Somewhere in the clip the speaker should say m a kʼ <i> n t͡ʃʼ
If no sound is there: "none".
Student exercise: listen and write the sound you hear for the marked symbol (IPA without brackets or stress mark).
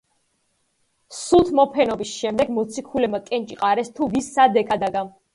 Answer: ɛ